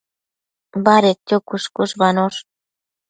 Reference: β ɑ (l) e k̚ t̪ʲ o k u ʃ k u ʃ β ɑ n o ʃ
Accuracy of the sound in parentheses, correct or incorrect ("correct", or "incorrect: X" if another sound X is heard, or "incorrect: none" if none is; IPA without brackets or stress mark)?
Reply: incorrect: ɾ